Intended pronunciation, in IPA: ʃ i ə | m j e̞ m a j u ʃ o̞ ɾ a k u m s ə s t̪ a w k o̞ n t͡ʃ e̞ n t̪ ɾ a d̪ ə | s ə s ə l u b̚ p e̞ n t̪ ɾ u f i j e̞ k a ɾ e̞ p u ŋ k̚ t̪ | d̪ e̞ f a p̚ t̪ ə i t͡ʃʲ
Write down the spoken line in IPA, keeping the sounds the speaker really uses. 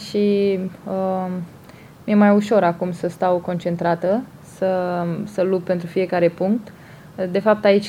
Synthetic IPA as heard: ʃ i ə | m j e̞ m a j u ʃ o̞ ɾ a k u m s ə s t̪ a w k o̞ n t͡ʃ e̞ n t̪ ɾ a t̪ ə | s ə s ə l u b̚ p e̞ n t̪ ɾ u f i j e̞ k a ɾ e̞ p u ŋ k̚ t̪ | d̪ e̞ f a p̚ t̪ a i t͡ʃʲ